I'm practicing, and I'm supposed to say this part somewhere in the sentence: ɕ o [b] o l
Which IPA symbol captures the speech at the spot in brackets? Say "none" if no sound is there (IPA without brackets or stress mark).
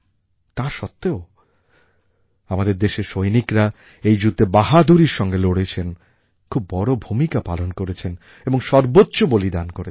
b